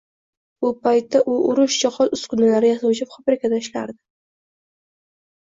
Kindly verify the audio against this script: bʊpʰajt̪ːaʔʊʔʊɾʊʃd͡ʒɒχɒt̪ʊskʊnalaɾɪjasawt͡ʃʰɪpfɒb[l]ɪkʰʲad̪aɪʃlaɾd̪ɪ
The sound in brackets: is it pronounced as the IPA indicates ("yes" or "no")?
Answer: no